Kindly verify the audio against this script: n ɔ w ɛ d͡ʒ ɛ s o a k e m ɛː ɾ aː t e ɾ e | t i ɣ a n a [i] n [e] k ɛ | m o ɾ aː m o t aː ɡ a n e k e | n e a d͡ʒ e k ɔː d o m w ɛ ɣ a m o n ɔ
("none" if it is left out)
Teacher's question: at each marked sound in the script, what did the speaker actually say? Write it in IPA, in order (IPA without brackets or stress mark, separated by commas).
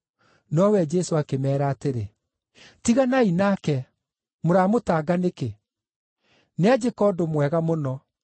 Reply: i, a